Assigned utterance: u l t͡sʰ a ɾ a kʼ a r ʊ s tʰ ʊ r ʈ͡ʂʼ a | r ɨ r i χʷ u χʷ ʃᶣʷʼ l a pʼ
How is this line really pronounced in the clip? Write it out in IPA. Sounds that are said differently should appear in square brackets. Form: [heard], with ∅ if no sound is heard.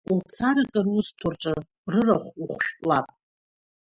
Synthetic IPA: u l t͡sʰ a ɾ a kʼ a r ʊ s tʰ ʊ r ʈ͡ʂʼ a | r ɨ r [a] χʷ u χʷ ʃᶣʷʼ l a pʼ